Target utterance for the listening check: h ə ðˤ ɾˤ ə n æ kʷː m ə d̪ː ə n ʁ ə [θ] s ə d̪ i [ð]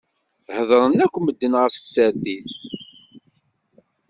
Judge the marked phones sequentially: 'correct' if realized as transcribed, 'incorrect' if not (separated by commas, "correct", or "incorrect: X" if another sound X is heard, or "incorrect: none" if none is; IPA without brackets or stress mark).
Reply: incorrect: f, incorrect: θ